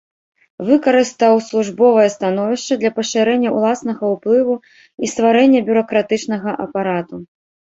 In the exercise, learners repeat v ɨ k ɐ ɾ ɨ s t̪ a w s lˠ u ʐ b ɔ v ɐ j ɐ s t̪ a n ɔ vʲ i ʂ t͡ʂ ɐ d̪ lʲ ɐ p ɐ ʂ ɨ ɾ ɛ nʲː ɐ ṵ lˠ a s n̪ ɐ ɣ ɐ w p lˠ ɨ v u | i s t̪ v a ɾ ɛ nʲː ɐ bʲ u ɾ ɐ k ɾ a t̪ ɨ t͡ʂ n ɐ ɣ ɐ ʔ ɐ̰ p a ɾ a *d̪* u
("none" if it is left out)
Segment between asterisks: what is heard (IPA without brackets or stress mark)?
t̪